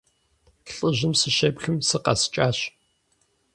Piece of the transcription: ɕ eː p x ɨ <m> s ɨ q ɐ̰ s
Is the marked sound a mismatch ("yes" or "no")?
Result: no